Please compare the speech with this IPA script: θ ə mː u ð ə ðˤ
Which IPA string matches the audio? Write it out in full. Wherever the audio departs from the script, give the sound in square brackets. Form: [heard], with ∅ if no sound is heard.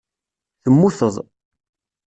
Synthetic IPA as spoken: θ ə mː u [θ] ə ðˤ